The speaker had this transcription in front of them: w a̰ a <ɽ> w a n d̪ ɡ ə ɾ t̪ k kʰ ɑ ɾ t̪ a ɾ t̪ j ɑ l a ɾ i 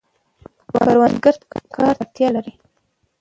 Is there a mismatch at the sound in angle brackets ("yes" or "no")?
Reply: yes